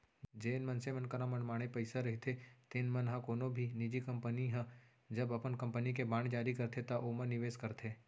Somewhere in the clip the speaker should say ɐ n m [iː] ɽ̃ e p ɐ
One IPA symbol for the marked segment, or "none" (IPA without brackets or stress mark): aː